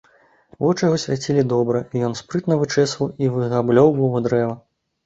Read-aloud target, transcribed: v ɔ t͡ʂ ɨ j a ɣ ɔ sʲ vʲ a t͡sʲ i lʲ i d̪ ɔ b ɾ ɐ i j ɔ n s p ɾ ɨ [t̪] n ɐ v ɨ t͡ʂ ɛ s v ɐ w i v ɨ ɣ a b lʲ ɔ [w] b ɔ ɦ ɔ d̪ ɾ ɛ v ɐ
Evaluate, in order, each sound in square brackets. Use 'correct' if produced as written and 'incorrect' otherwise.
correct, correct

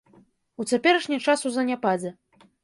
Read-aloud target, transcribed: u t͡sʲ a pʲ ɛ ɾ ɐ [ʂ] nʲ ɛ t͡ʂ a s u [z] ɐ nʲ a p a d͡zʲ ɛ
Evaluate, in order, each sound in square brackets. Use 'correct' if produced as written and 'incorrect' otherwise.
correct, correct

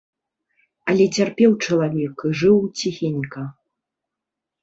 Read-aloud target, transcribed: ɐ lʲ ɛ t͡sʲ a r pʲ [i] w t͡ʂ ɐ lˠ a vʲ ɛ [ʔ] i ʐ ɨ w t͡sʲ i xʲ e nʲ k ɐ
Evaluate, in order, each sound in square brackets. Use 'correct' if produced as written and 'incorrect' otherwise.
incorrect: ɛ, incorrect: k

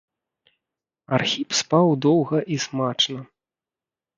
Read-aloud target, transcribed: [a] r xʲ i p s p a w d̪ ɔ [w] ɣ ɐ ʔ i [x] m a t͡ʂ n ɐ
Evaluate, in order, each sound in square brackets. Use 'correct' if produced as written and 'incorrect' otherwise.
correct, correct, incorrect: s

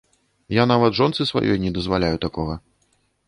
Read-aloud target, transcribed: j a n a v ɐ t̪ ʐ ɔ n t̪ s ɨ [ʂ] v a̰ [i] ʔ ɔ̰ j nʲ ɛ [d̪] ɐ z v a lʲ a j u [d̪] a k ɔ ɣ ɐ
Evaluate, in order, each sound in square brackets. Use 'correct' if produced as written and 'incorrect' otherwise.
incorrect: s, incorrect: j, correct, incorrect: t̪

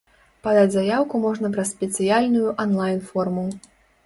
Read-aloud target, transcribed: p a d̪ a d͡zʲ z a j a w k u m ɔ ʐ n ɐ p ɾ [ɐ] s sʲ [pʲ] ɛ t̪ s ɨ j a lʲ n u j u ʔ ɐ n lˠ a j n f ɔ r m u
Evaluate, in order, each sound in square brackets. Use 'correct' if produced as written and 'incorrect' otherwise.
correct, correct

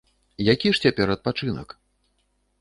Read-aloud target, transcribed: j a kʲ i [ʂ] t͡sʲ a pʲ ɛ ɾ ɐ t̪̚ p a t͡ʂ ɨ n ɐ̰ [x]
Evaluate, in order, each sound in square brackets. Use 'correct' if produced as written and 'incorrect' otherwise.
correct, incorrect: k

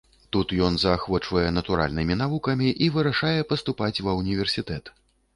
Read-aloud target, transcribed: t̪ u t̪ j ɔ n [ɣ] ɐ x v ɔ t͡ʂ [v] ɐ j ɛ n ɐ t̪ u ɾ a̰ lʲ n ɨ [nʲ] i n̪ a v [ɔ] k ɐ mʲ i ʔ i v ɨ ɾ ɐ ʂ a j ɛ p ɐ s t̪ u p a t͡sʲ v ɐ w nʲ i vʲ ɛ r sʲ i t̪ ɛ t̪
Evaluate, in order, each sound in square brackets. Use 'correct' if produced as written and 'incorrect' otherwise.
incorrect: z, correct, incorrect: mʲ, incorrect: u

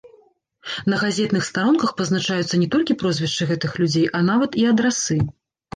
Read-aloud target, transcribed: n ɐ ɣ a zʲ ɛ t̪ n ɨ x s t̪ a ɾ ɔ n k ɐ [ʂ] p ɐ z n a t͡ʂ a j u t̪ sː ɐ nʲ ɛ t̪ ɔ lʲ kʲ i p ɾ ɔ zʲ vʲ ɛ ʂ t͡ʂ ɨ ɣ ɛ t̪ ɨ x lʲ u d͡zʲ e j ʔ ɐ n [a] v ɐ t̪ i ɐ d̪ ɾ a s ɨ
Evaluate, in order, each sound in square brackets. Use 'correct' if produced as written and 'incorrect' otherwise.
incorrect: x, correct

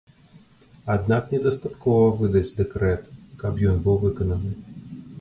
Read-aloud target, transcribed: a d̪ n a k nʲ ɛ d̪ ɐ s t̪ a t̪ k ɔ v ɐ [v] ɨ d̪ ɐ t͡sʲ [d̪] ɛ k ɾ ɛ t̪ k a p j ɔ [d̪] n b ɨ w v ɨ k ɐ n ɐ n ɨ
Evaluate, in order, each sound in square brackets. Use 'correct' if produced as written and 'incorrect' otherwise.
correct, correct, incorrect: none

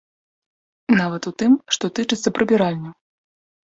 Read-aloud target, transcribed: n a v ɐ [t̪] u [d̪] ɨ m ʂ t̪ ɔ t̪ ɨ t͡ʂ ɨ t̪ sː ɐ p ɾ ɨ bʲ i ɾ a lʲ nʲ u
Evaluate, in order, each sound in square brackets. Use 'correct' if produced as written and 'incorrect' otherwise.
correct, incorrect: t̪

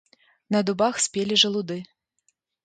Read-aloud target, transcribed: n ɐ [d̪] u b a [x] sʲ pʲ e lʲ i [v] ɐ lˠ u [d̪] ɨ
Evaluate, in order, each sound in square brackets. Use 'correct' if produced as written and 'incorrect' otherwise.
correct, correct, incorrect: ʐ, correct

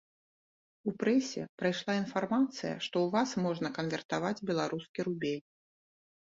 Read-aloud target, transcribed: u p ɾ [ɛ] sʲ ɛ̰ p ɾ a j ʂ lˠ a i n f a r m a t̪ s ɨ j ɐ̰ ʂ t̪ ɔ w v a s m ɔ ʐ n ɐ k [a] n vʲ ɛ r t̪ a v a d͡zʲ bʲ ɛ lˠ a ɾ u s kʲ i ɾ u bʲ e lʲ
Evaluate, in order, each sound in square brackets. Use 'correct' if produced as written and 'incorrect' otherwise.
correct, incorrect: ɐ

